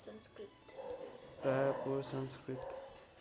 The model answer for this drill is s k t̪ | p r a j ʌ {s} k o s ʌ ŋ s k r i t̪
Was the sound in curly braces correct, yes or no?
no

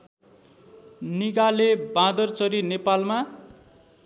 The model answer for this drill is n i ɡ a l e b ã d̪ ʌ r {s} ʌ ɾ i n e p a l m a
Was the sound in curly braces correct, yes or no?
no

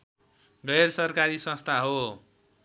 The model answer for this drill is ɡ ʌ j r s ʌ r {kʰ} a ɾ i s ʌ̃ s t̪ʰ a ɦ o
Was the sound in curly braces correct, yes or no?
no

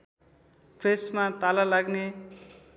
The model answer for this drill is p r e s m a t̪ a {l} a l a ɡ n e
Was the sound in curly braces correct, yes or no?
yes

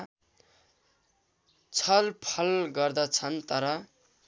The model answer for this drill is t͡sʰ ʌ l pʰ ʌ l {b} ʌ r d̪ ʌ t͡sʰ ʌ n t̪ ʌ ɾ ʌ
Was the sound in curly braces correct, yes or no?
no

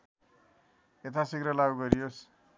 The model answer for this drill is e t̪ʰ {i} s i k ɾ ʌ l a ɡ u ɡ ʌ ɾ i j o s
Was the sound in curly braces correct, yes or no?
no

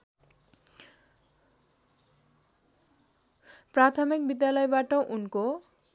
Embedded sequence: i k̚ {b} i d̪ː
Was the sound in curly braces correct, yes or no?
yes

